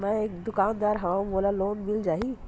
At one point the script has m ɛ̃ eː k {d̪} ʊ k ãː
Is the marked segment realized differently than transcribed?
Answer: no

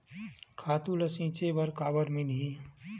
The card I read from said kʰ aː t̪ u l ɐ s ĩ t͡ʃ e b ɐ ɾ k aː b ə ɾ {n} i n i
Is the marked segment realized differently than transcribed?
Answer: yes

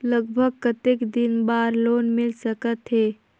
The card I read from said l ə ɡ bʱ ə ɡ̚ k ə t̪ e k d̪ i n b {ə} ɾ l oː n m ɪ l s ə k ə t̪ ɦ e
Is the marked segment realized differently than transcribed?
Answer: yes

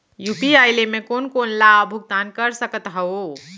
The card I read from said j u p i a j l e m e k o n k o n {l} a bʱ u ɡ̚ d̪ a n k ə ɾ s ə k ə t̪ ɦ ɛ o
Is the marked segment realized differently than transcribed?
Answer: no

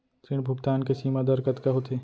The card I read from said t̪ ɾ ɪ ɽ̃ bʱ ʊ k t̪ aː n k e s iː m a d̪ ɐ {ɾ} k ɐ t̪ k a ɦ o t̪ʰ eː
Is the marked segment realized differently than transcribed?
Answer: no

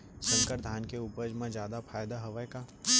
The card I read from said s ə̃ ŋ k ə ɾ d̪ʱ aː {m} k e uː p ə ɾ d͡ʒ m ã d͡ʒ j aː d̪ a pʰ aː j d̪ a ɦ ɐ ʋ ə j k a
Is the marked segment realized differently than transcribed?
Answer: yes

